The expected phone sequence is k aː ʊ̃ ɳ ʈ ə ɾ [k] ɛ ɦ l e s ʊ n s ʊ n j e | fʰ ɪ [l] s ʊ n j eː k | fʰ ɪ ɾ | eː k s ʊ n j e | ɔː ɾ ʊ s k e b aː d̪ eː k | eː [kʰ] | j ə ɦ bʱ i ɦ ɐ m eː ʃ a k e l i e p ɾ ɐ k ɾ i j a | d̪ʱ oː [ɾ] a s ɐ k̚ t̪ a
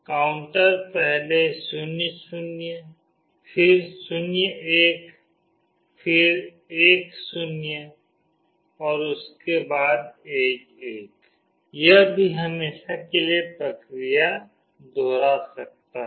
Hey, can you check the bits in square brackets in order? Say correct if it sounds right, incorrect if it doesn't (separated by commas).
incorrect, incorrect, incorrect, correct